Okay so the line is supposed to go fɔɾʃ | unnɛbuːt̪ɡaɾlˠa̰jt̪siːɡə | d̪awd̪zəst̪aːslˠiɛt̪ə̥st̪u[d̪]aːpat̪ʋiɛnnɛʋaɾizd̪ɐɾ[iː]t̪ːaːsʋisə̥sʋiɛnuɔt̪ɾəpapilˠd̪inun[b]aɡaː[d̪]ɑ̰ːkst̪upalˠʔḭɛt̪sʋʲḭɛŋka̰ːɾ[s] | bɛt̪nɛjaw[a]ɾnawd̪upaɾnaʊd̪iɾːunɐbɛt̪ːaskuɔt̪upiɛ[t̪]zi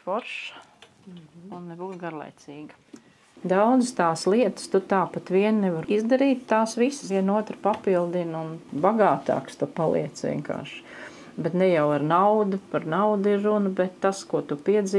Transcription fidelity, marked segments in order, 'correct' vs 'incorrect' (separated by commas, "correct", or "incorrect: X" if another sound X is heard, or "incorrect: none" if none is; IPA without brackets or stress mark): incorrect: t̪, correct, correct, incorrect: t̪, incorrect: ʃ, correct, incorrect: d̪